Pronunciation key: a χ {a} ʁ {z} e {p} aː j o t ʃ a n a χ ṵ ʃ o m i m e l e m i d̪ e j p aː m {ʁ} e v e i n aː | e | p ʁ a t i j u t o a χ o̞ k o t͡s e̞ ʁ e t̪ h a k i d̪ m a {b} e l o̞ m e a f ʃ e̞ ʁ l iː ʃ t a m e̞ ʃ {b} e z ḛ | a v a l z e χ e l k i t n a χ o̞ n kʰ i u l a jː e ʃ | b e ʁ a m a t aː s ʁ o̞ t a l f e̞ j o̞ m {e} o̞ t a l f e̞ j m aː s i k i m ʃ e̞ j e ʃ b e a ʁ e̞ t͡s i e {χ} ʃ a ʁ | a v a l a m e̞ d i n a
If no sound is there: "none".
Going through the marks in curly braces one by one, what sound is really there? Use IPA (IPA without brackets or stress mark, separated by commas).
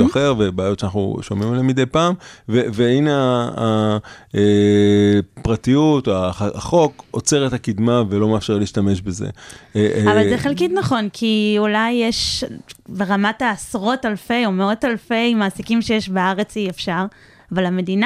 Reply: e, v, b, v, v, b, e, f